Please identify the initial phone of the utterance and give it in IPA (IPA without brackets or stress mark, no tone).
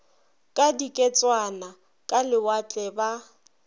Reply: kʼ